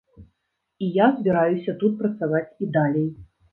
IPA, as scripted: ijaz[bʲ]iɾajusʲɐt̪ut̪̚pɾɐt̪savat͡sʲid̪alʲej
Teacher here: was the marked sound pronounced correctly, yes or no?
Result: yes